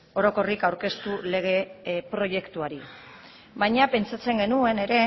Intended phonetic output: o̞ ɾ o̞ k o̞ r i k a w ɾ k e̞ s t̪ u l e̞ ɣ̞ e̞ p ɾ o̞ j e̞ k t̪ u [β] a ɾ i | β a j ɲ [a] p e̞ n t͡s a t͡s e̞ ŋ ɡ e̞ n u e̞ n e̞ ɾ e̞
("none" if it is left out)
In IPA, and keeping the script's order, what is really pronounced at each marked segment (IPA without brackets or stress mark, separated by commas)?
none, a